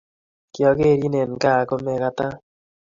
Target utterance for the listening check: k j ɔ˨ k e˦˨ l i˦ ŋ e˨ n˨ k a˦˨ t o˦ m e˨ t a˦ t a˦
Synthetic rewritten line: k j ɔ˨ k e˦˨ ɾ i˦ n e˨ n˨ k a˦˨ k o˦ m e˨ k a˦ t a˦